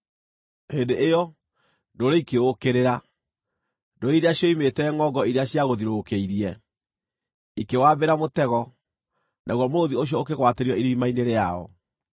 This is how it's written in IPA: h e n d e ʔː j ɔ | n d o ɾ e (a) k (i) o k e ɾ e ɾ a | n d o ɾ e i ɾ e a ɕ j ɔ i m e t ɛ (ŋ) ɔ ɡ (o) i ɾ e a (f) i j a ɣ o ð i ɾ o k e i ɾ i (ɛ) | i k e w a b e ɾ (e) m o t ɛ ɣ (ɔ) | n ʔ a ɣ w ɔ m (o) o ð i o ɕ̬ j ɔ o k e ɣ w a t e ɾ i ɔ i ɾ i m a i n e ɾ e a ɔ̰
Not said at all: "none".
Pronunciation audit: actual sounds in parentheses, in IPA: i, e, ŋ, ɔ, ɕ, ɛ, a, ɔ, o

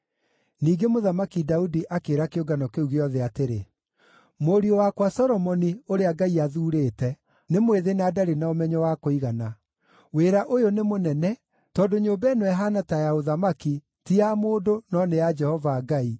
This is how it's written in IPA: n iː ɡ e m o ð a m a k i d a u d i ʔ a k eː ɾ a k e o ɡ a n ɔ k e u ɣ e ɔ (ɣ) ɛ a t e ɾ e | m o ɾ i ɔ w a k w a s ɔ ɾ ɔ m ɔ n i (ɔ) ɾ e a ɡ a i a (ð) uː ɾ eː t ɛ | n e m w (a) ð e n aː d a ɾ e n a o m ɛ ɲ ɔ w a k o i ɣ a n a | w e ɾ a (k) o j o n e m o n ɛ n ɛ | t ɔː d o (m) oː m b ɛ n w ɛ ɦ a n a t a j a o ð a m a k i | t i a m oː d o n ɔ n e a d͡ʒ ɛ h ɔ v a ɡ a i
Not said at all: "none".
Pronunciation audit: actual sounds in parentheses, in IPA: ð, o, ð, e, ʔ, ɲ

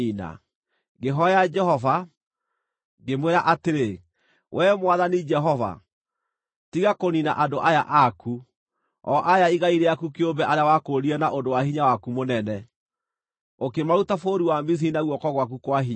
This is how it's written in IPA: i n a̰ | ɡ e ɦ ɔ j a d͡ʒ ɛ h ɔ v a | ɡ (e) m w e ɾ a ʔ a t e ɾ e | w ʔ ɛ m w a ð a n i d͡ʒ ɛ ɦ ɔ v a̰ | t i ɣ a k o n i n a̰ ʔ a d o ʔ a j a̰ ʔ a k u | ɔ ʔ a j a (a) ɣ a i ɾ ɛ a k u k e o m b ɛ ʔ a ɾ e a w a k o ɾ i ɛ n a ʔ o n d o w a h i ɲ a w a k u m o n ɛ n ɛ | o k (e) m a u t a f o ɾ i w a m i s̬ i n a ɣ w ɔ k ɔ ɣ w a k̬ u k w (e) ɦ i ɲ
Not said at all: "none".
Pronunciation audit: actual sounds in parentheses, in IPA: e, i, e, a

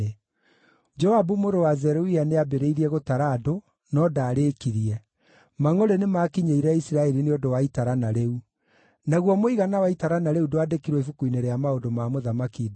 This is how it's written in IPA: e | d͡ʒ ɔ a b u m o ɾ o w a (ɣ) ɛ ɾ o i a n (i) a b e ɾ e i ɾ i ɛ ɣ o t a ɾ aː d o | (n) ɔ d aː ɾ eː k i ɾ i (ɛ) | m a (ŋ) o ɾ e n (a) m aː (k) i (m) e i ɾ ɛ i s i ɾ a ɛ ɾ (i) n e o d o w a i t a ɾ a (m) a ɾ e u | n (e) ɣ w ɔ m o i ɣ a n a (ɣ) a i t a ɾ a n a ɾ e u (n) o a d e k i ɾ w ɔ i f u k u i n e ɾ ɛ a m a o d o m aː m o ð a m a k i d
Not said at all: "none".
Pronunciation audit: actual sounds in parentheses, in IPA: z, e, n, ɛ, ŋ, e, k, ɲ, i, n, a, w, d

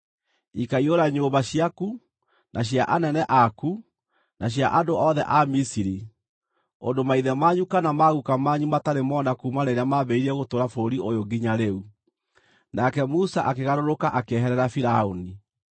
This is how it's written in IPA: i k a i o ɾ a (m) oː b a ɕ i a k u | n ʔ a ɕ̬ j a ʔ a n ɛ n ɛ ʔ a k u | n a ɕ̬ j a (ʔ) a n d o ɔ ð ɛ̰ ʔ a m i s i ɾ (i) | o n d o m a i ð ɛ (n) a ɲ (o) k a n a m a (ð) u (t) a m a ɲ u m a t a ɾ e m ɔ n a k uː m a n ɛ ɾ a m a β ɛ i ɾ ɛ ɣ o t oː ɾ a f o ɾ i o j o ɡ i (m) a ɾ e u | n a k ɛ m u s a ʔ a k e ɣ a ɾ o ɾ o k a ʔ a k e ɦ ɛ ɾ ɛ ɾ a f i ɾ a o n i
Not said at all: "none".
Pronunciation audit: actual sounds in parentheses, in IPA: ɲ, ʔ, i, m, u, ɣ, k, ɲ

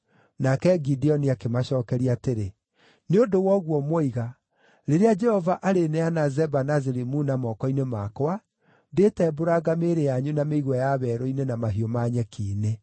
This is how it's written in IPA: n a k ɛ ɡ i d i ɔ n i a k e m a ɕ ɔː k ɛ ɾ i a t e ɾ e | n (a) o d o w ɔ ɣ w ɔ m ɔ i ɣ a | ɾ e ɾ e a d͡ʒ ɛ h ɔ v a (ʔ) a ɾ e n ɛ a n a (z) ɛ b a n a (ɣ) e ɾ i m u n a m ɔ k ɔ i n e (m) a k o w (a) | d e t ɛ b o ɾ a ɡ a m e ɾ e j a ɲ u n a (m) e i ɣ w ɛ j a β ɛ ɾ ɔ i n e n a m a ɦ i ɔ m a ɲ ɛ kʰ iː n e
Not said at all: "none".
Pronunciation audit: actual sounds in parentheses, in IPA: e, ʔ, z, z, m, a, m

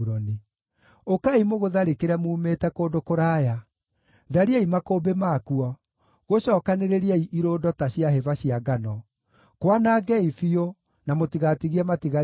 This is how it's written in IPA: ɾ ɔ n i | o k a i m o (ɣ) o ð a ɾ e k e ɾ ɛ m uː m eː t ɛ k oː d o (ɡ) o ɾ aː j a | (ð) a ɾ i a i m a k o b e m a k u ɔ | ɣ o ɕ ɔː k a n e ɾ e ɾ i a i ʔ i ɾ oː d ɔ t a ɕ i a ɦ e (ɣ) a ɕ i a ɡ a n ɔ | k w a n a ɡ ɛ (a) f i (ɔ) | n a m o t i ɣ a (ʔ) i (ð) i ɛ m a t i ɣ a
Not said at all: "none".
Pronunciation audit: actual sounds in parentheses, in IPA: ɣ, k, ð, v, i, o, t, ɣ

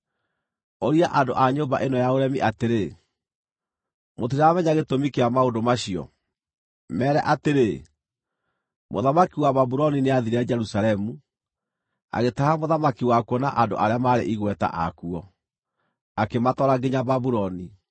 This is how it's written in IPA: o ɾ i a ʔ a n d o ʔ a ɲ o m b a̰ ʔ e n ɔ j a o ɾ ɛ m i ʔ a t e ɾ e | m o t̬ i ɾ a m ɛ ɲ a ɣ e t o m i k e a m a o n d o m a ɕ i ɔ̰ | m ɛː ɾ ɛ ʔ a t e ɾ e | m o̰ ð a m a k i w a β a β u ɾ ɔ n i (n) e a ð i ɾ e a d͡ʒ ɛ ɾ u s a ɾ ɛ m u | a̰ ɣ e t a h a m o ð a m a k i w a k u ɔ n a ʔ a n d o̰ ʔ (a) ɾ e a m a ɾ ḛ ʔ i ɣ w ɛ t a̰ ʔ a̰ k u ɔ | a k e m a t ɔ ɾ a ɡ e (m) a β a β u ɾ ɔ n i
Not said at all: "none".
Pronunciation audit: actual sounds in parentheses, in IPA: n, a, ɲ

